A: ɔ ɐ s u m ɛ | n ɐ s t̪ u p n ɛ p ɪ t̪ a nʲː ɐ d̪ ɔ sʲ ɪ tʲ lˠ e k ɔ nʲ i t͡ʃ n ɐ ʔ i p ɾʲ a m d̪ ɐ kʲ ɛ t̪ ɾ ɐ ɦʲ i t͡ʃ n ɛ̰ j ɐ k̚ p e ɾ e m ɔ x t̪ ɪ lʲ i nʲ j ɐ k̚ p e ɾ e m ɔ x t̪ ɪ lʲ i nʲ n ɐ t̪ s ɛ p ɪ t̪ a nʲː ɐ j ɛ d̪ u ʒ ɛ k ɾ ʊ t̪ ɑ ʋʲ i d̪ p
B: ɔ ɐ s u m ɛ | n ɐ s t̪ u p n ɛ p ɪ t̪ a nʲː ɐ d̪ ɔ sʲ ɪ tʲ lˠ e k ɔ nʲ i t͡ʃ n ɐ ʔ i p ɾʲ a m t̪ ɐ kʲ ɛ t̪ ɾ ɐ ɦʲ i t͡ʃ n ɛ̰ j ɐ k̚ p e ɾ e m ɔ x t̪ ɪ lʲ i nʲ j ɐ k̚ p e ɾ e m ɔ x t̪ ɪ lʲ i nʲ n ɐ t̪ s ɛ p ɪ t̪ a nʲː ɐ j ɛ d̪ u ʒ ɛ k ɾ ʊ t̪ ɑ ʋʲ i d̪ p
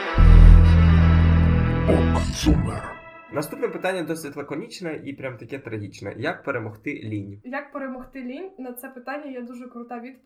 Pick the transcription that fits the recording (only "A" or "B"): B